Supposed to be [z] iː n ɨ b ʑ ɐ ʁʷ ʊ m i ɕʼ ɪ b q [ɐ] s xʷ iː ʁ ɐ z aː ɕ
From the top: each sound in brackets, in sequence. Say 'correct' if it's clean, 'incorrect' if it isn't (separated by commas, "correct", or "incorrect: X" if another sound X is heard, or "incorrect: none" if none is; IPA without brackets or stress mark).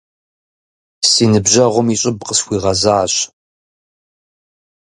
incorrect: s, incorrect: ə